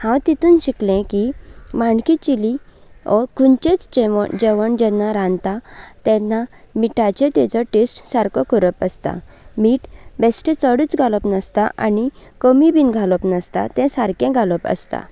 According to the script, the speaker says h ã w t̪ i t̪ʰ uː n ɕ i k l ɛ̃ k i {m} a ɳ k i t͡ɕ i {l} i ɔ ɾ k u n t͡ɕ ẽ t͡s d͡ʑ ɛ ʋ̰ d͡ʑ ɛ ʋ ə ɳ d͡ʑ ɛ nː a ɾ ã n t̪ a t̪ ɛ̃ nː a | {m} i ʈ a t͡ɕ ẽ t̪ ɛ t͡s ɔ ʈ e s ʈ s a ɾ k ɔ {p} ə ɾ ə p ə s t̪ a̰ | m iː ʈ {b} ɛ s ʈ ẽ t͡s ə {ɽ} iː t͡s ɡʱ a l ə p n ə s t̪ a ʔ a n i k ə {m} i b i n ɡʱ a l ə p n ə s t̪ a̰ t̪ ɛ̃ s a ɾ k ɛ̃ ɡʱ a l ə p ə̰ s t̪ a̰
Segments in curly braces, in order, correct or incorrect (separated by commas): correct, correct, correct, incorrect, correct, correct, correct